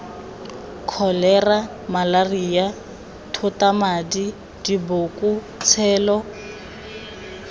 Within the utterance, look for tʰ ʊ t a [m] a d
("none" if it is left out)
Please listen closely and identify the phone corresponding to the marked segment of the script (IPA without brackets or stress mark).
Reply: m